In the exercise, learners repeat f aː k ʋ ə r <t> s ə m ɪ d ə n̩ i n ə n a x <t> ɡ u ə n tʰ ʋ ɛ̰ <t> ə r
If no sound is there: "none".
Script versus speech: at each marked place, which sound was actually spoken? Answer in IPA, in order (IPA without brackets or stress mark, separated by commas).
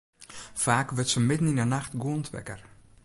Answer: t, t, k